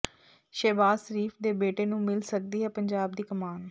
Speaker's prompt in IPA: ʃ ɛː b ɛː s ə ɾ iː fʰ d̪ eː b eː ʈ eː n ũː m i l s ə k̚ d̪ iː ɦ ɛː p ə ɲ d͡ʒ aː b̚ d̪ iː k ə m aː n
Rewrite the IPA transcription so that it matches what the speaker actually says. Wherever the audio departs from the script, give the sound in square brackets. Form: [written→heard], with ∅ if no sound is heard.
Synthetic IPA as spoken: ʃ ɛː b [ɛː→aː] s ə ɾ iː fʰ d̪ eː b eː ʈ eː n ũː m [i→ɪ] l s ə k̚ d̪ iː ɦ ɛː p ə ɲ d͡ʒ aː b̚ d̪ iː k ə m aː n